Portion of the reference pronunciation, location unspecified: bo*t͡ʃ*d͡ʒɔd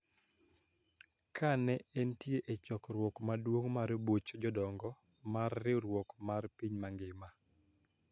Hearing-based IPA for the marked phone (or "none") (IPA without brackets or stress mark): t͡ʃ